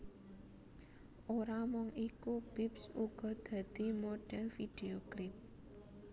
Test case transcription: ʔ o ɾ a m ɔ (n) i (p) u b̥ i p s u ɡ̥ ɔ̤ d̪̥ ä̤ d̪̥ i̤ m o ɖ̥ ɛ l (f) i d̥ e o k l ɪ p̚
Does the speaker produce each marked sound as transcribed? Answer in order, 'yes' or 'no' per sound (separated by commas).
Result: no, no, yes